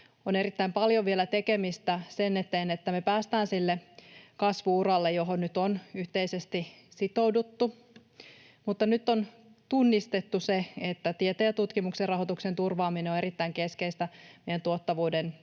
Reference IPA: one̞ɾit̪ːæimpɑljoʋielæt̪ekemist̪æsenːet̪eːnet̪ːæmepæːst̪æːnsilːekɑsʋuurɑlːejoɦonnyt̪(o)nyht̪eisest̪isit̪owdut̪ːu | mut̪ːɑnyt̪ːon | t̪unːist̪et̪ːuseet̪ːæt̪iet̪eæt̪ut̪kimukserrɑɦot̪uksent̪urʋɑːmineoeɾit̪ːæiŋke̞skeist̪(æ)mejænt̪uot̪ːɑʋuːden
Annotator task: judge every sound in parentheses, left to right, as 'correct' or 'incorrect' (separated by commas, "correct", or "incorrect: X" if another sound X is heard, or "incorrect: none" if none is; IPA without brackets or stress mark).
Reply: correct, correct